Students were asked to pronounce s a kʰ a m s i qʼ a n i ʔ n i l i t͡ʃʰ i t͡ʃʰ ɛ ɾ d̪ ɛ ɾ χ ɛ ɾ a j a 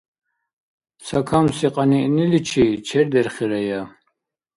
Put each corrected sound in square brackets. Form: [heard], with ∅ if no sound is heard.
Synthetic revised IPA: s a kʰ a m s i qʼ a n i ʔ n i l i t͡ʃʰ i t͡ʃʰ ɛ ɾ d̪ ɛ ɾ χ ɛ ɾ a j a